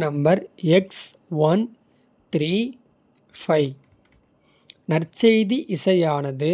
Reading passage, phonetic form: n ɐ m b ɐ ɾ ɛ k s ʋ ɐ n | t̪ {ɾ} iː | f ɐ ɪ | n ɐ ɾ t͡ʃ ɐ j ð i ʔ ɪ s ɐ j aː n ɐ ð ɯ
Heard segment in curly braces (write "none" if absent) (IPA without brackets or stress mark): ɾ